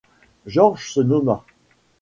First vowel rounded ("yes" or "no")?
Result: yes